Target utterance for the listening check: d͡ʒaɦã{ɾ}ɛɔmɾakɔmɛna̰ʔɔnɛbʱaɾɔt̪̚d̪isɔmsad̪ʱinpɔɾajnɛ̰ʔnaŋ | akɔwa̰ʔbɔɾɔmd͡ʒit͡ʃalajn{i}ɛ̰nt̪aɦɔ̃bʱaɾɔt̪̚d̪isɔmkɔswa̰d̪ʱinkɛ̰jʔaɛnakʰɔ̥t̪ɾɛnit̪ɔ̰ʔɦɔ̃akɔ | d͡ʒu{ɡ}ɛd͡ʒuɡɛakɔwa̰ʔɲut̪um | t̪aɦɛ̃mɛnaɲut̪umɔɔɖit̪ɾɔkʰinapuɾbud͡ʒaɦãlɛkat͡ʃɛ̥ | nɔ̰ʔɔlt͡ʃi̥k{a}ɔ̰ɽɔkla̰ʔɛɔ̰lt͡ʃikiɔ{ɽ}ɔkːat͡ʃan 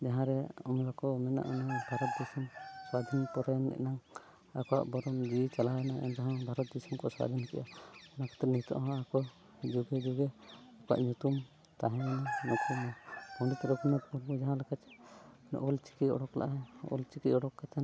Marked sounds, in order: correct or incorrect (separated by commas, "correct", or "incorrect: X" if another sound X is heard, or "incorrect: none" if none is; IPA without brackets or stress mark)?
correct, incorrect: a, correct, incorrect: i, correct